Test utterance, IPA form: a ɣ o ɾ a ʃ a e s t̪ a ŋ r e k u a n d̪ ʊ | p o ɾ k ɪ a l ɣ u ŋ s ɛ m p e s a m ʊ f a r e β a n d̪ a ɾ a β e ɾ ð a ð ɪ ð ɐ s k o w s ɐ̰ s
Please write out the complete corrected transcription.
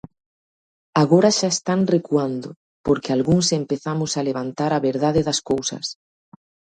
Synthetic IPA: a ɣ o ɾ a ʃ a e s t̪ a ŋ r e k u a n d̪ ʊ | p o ɾ k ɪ a l ɣ u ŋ s e m p e θ a m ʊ s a l e β a n t̪ a ɾ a β e ɾ ð a ð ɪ ð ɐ s k o w s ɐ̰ s